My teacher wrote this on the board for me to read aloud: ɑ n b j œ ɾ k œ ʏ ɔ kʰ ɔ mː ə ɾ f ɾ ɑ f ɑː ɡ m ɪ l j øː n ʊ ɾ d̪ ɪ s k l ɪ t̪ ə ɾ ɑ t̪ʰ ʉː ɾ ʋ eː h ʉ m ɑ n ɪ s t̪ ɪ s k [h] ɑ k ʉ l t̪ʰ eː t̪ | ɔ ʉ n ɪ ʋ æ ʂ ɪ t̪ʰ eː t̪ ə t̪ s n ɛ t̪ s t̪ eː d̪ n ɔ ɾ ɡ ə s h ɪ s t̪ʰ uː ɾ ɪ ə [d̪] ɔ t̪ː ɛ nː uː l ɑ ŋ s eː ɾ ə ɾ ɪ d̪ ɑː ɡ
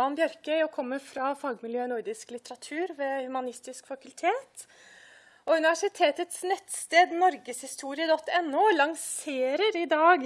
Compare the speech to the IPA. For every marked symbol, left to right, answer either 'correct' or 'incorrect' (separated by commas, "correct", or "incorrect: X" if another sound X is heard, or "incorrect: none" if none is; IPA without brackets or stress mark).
incorrect: f, correct